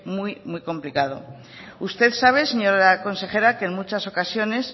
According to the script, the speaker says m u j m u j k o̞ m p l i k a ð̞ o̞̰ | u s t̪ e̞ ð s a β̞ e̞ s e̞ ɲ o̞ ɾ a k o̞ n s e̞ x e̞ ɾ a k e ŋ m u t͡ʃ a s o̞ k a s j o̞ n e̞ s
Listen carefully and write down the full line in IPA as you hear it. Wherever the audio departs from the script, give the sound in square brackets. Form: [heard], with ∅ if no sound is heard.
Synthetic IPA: m u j m u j k o̞ m p l i k a ð̞ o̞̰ | u s t̪ e̞ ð s a β̞ e̞ s e̞ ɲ o̞ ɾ a k o̞ n s e̞ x e̞ ɾ a k e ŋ m u t͡ʃ a s o̞ k a s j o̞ n e̞ s